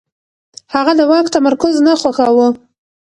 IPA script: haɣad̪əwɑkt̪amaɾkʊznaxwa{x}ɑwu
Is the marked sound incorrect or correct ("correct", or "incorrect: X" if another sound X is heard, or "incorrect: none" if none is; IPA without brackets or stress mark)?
correct